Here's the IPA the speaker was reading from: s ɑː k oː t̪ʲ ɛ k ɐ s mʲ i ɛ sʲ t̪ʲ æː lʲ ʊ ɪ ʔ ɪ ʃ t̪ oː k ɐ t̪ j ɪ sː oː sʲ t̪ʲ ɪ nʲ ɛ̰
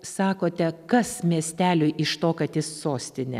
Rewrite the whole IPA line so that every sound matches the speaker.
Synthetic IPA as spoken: s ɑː k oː t̪ʲ ɛ k ɐ s mʲ i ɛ sʲ t̪ʲ æː lʲ ʊ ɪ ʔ ɪ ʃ t̪ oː k ɐ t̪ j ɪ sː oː sʲ t̪ʲ ɪ nʲ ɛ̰